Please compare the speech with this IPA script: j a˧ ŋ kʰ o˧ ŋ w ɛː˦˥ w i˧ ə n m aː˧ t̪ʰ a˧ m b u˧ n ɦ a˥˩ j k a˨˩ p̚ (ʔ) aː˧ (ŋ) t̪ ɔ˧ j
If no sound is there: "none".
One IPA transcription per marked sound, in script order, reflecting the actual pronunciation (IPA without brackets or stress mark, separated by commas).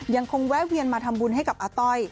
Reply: ʔ, none